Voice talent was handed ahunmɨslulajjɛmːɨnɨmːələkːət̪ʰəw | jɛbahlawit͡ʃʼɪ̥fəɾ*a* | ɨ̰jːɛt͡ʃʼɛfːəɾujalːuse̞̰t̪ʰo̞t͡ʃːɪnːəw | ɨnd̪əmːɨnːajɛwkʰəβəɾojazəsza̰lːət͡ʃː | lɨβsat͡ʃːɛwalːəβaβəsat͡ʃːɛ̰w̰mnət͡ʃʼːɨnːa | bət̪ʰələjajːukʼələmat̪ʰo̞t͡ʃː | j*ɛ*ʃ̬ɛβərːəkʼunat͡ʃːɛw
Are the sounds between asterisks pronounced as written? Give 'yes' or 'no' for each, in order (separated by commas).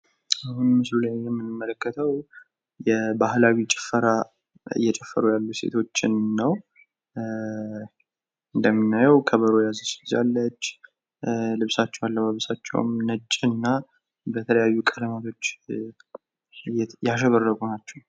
yes, no